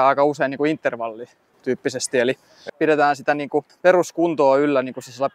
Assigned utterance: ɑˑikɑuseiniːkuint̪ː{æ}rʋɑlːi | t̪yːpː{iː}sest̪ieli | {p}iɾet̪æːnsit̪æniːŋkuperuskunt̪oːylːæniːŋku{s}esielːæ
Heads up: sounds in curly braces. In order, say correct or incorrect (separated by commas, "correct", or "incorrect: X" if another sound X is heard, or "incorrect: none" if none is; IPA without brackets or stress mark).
incorrect: e, incorrect: i, correct, correct